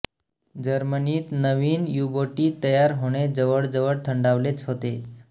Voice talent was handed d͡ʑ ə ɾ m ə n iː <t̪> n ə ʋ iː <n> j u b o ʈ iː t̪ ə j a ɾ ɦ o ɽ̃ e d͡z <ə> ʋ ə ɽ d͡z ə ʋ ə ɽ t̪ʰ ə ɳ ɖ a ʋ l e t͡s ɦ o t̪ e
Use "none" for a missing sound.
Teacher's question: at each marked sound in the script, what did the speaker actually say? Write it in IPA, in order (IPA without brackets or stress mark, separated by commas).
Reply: t̪, n, ə